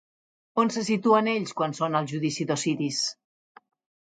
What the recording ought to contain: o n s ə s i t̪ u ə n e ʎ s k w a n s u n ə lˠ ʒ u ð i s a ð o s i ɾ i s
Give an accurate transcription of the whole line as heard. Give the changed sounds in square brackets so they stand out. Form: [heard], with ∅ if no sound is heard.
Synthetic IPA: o n s ə s i t̪ u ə n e ʎ s k w a n s [o] n ə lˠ ʒ u ð i s [i] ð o s i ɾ i s